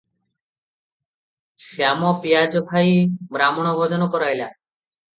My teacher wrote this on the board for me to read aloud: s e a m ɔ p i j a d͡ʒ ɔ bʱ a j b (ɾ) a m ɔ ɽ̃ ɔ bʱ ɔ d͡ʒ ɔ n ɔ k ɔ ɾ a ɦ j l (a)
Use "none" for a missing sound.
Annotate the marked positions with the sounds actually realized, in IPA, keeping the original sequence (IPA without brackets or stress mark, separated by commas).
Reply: ɾ, a